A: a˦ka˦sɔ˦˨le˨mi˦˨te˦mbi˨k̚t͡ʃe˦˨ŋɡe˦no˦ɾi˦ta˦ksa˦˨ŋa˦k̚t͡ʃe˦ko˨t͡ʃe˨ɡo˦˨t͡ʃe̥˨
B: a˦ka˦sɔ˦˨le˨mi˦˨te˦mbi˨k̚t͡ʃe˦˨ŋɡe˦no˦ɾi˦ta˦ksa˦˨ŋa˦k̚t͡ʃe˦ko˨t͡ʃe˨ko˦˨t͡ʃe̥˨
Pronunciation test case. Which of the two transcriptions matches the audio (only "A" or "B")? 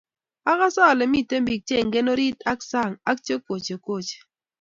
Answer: B